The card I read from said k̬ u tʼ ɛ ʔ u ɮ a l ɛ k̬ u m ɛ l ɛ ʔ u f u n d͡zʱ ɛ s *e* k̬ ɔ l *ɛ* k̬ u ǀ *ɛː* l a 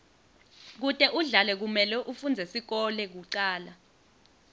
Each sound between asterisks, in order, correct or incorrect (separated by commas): incorrect, correct, incorrect